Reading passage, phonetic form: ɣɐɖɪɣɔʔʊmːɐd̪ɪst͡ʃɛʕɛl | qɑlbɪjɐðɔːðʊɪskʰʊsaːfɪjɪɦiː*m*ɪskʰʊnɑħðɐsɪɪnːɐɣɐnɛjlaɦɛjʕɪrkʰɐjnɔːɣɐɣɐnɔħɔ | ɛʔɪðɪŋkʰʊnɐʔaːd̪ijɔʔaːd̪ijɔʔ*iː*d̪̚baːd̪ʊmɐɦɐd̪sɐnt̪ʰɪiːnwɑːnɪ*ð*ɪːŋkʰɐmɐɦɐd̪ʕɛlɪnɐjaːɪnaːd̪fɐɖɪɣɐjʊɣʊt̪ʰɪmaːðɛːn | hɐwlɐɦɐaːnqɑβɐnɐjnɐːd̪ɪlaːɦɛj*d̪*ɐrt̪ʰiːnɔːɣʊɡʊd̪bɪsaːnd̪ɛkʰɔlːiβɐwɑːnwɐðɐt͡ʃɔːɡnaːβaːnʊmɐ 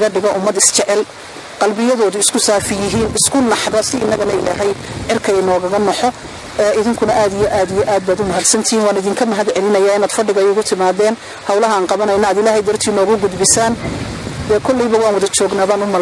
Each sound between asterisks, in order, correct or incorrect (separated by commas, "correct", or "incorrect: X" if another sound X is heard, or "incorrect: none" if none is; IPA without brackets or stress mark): incorrect: n, incorrect: aː, correct, correct